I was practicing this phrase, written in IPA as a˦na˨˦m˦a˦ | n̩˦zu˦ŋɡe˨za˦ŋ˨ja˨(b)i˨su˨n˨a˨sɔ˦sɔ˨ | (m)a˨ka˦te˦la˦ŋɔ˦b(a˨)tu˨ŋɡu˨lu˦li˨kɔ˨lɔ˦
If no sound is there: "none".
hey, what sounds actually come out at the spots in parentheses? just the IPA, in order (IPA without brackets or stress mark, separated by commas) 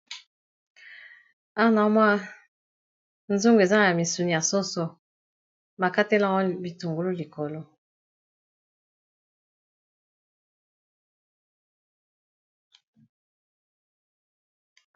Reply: m, m, i˨